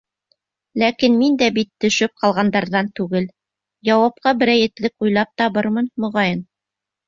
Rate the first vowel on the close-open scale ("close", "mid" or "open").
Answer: open